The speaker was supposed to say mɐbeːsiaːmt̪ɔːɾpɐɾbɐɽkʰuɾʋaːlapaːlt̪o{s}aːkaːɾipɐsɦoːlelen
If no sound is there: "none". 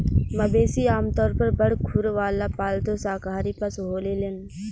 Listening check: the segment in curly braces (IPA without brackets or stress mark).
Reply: s